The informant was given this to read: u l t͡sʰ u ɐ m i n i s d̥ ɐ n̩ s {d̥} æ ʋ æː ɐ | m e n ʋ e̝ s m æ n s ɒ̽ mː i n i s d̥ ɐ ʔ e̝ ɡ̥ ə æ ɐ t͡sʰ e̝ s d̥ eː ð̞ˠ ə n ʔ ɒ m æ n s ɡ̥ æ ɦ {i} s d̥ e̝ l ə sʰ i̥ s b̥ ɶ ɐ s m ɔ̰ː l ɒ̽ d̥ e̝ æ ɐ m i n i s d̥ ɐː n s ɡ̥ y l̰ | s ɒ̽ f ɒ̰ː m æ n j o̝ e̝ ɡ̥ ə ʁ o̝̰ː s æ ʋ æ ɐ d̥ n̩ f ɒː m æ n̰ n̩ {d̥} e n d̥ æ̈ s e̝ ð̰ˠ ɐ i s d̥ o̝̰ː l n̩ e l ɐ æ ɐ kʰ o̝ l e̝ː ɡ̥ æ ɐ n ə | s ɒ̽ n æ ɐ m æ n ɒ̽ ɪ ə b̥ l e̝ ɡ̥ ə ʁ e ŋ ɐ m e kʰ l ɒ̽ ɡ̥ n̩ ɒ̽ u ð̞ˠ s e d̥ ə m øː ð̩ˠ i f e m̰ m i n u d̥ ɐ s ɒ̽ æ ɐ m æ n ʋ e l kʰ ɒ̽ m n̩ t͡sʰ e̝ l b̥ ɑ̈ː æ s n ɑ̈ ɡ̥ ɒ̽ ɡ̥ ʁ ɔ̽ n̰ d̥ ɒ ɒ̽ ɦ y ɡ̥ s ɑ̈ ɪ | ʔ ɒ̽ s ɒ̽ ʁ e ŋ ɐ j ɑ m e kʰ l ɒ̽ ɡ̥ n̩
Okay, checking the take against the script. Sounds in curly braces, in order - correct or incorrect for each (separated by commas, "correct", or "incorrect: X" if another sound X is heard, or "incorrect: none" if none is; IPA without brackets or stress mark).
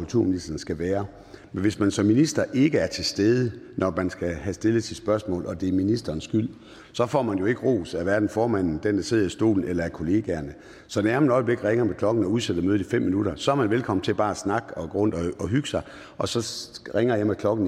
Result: incorrect: ɡ̥, incorrect: æ, correct